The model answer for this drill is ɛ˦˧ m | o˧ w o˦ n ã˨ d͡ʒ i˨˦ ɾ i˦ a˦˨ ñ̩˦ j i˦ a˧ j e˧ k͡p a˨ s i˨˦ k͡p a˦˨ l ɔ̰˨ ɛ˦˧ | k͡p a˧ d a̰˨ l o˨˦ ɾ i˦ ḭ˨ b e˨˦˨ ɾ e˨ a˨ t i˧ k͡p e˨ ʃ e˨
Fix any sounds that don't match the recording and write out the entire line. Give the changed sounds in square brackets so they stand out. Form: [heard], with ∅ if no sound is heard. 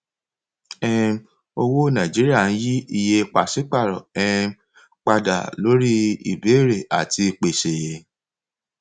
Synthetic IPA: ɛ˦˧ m | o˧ w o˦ n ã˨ d͡ʒ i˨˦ ɾ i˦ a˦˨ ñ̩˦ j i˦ [i˧] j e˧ k͡p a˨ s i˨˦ k͡p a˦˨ [ɾ] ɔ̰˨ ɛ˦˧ | k͡p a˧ d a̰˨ l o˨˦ ɾ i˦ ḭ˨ b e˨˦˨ ɾ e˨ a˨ t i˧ k͡p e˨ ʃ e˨